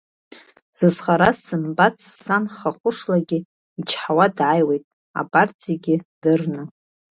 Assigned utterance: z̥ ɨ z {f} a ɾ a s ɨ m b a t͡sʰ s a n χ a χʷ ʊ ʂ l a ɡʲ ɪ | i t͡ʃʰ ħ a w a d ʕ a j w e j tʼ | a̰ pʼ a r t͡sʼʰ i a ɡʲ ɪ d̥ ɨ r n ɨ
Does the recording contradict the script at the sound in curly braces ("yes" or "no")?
yes